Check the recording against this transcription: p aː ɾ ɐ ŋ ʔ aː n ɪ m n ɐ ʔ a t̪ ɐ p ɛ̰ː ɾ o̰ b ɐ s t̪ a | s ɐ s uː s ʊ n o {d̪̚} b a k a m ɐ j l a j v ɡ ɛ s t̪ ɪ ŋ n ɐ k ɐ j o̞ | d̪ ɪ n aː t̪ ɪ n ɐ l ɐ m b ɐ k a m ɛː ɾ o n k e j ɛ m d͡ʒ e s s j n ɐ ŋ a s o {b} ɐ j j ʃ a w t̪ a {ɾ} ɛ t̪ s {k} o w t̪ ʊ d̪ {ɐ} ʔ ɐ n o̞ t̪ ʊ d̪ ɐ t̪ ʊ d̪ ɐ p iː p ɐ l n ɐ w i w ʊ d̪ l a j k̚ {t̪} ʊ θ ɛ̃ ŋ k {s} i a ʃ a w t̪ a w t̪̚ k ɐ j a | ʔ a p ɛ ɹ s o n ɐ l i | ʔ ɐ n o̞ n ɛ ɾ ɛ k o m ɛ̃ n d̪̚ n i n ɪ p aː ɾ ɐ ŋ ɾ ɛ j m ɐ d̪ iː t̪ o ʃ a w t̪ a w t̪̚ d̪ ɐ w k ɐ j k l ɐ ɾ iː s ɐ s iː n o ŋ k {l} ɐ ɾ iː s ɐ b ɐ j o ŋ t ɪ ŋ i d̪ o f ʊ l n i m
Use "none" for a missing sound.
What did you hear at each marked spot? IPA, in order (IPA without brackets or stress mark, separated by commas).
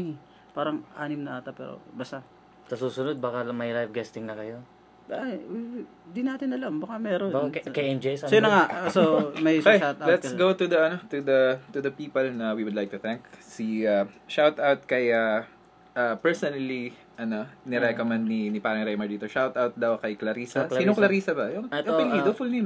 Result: d̪̚, m, l, ɡ, ɐ, t̪, s, l